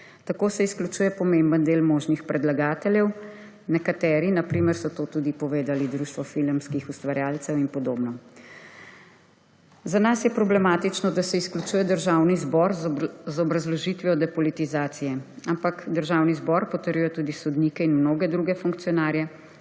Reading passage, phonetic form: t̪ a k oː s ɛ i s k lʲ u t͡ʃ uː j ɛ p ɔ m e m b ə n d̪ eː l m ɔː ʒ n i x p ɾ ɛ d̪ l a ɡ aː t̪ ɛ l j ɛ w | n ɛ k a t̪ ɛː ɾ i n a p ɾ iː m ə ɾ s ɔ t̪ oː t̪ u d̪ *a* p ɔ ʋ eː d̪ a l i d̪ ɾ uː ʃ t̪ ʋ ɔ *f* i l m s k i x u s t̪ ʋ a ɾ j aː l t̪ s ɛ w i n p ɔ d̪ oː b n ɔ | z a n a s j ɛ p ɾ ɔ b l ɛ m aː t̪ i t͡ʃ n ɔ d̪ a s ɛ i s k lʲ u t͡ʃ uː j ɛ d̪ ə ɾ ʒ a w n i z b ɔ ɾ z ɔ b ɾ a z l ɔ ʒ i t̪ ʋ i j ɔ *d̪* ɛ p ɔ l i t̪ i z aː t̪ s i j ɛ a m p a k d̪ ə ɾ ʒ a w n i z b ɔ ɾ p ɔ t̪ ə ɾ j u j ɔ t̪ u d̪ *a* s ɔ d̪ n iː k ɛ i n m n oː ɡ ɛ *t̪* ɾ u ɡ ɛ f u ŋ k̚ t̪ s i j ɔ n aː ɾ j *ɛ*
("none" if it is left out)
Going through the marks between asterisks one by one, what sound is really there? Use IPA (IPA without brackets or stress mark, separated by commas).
i, f, d̪, i, d̪, ɛ